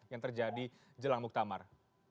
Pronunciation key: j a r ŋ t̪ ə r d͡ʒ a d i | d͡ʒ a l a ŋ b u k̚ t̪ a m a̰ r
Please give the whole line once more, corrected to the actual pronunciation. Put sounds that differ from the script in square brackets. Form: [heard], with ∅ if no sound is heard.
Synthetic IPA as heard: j a [∅] ŋ t̪ ə r d͡ʒ a d i | d͡ʒ [ə] l a ŋ [m] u k̚ t̪ a m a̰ r